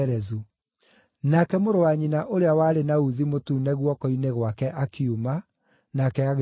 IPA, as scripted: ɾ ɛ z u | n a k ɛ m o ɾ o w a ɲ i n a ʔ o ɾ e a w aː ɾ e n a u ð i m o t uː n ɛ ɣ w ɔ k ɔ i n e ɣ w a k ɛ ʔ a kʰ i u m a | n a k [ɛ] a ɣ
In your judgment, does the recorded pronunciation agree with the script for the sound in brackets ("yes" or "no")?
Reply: yes